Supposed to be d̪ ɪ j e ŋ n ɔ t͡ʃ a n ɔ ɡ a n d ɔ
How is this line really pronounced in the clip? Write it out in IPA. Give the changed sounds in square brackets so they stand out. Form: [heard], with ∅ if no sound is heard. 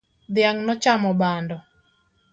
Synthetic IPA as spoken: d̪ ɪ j [a] ŋ n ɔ t͡ʃ a [m] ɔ [b] a n d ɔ